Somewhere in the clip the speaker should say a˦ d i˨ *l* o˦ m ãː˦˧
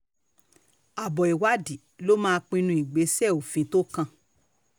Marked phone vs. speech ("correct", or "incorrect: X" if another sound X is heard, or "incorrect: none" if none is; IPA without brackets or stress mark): correct